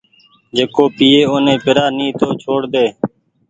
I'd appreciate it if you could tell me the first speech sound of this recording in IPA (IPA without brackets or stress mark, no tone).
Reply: d͡ʒ